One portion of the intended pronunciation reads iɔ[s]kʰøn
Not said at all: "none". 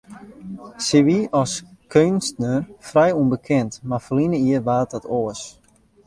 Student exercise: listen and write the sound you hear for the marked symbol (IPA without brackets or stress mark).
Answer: s